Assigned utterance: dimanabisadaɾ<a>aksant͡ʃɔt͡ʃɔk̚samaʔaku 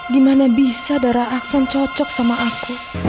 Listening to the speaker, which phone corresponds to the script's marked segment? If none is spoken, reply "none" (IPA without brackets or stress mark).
a